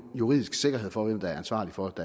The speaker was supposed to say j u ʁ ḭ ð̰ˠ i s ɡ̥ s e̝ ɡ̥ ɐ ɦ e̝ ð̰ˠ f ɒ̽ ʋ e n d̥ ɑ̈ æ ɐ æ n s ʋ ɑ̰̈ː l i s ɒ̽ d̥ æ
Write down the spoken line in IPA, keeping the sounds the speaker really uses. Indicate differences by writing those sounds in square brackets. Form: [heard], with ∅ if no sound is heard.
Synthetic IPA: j u ʁ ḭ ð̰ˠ i s ɡ̥ s e̝ ɡ̥ ɐ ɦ e̝ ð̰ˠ f ɒ̽ ʋ e [m] d̥ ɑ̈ æ ɐ æ n s ʋ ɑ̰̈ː l i [f] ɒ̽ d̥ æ